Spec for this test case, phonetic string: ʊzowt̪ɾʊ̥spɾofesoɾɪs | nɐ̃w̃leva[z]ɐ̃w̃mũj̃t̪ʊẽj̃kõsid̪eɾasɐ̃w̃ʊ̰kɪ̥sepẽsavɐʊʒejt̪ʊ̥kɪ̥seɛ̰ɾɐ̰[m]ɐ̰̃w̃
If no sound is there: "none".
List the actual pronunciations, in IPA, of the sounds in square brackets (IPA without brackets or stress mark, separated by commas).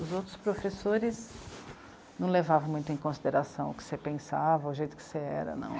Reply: v, n